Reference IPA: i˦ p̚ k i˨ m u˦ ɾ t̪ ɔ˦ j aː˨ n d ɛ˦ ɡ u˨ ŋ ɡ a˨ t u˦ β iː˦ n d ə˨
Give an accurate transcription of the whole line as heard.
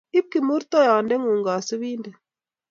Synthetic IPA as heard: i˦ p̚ k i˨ m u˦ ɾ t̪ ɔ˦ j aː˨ n d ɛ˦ ŋ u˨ ŋ ɡ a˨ s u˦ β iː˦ n d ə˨